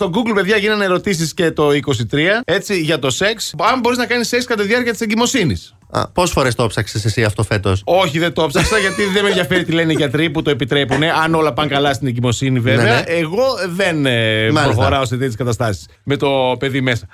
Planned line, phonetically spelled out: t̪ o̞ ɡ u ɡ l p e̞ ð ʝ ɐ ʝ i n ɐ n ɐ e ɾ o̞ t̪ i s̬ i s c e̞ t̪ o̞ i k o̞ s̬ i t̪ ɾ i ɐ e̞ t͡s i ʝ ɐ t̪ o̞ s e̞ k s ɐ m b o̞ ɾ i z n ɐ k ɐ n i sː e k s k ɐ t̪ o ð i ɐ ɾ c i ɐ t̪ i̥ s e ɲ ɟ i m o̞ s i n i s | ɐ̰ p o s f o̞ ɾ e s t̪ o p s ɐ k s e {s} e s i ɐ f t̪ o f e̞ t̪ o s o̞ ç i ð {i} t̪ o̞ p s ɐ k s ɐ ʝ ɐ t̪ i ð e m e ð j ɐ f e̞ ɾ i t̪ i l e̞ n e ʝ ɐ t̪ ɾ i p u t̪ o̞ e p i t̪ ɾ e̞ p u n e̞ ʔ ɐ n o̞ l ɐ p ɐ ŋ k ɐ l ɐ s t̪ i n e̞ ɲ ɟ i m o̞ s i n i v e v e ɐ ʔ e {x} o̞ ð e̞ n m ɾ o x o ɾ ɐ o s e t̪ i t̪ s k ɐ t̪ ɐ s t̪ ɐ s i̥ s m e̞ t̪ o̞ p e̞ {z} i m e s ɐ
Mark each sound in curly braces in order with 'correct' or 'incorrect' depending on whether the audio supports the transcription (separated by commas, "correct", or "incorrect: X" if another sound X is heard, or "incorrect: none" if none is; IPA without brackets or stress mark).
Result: correct, incorrect: e, incorrect: ɣ, incorrect: ð